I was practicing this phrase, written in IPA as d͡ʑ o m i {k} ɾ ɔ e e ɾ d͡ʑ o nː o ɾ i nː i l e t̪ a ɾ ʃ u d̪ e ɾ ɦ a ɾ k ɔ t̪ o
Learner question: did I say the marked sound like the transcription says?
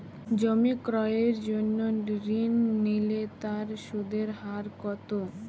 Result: yes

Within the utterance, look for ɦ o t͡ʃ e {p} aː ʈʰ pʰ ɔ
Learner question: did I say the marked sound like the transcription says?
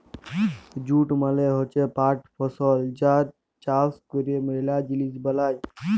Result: yes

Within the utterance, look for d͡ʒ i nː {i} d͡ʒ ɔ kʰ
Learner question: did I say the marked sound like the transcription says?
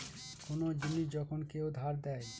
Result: yes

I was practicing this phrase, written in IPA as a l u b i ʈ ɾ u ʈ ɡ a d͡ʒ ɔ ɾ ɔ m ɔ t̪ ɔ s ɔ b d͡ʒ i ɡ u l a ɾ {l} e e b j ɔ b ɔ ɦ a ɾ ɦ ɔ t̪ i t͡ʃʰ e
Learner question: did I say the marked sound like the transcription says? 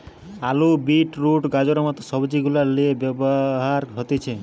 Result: yes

